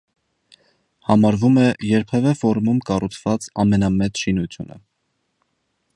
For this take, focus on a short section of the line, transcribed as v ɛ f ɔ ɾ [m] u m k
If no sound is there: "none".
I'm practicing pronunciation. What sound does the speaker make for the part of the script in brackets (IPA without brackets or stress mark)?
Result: m